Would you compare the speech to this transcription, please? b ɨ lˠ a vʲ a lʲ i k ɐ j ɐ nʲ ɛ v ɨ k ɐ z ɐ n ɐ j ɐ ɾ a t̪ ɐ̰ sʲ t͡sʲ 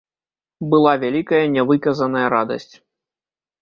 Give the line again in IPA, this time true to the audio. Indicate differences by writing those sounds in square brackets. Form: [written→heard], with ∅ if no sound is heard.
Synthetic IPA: b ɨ lˠ a vʲ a lʲ i k ɐ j ɐ nʲ ɛ v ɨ k ɐ z ɐ n ɐ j ɐ ɾ a [t̪→d̪] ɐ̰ sʲ t͡sʲ